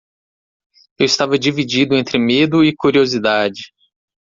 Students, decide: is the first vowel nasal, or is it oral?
oral